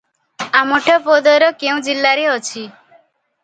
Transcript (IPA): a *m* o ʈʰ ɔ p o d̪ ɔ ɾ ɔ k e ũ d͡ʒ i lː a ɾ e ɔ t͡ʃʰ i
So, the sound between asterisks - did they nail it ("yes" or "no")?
yes